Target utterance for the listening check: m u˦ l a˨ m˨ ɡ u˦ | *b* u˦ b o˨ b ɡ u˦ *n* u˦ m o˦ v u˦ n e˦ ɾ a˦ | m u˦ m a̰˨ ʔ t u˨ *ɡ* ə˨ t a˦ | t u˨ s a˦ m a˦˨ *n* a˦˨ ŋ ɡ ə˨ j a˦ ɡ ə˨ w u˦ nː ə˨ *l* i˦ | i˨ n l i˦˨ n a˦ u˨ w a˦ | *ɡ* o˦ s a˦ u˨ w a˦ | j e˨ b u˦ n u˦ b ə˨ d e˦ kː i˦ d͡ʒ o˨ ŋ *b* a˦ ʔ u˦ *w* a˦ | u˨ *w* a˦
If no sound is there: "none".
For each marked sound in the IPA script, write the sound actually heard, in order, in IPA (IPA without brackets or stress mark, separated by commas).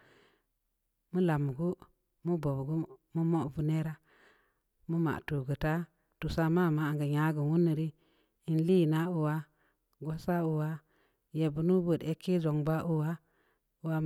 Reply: m, m, ɡ, m, ɾ, ɡ, b, w, w